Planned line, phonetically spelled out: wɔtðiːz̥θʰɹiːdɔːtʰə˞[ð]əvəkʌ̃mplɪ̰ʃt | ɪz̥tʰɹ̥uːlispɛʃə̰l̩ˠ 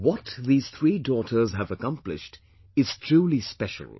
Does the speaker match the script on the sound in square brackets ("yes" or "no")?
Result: no